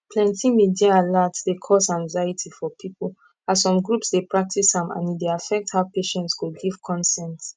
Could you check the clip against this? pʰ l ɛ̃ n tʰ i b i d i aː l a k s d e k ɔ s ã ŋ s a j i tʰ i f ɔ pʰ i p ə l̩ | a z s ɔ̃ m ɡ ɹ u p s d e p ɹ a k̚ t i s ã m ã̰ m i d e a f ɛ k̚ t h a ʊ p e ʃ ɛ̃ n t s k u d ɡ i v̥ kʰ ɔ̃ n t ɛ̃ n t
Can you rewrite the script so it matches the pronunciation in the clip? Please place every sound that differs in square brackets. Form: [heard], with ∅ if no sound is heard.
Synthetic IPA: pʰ l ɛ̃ n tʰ i [m] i d i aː l a [t] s d e [kʰ] ɔ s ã ŋ [z] a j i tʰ i f ɔ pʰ i p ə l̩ | a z s ɔ̃ m ɡ ɹ u p s d e p ɹ a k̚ t i s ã m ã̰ [n] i d e a f ɛ k̚ t h a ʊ p e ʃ ɛ̃ n t s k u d ɡ i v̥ kʰ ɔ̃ n [s] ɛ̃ n t

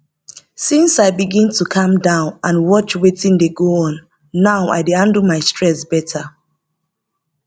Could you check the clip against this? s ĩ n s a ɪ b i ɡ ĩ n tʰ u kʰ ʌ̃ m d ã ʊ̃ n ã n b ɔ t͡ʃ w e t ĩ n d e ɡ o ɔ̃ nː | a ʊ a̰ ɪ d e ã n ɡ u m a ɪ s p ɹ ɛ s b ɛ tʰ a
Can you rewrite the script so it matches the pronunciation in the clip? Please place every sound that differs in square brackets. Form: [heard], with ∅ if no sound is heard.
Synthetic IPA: s ĩ n s a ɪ b i ɡ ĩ n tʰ u kʰ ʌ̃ m d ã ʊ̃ n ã n [w] ɔ t͡ʃ w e t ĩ n d e ɡ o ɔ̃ nː | a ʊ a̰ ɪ d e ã n [d] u m a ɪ s [t] ɹ ɛ s b ɛ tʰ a

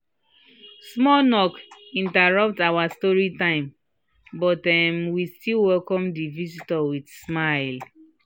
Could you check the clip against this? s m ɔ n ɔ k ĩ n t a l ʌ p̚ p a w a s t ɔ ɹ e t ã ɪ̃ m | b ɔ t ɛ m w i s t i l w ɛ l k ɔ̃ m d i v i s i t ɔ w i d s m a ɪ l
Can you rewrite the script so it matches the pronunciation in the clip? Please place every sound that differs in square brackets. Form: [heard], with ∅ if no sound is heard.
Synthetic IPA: s m ɔ n ɔ k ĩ n t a [ɹ] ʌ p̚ [t] a w a s t ɔ ɹ [i] t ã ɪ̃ m | b ɔ t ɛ m w i s t i l w ɛ l k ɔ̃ m d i v i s i t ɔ w i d s m a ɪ l

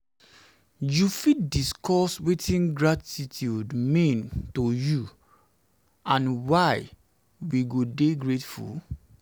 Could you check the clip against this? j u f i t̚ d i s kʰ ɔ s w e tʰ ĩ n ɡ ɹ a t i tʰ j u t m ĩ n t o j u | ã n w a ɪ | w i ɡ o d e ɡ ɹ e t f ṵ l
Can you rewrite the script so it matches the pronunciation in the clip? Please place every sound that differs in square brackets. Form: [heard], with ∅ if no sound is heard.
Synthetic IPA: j u f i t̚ d i s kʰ ɔ s w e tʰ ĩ n ɡ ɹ a t i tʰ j u [d] m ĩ n t o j u | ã n w a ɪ | w i ɡ o d e ɡ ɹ e t f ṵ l

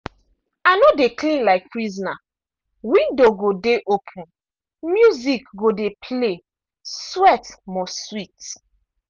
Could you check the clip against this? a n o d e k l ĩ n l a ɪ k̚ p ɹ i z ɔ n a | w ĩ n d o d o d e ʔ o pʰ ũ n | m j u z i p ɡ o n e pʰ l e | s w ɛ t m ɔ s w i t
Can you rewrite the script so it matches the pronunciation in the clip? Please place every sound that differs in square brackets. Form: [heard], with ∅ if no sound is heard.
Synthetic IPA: a n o d e k l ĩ n l a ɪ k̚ p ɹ i z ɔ n a | w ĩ n d o [ɡ] o d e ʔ o pʰ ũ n | m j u z i [k] ɡ o [d] e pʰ l e | s w ɛ t m ɔ s w i t

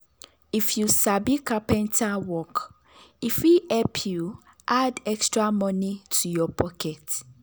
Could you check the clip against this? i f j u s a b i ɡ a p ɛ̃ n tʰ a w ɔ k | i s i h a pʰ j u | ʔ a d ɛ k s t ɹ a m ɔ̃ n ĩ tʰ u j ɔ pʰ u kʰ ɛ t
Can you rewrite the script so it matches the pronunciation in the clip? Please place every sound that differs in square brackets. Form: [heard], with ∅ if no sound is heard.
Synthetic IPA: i f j u s a b i [k] a p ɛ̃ n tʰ a w ɔ k | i [f] i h [ɛ] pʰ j u | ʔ a d ɛ k s t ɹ a m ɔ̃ n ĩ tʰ u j ɔ pʰ [ɔ] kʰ ɛ t

